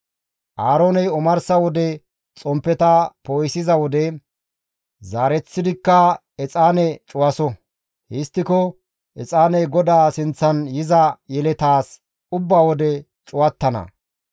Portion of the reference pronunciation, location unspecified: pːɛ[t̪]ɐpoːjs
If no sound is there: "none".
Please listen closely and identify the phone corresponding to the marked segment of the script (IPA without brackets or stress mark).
t̪